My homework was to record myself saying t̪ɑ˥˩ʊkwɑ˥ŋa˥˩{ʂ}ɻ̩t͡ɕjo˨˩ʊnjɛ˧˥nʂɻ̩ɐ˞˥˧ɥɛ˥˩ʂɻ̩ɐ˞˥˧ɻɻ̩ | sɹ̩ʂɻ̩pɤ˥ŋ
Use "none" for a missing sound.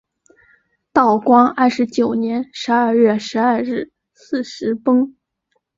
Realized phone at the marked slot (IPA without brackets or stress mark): ʂ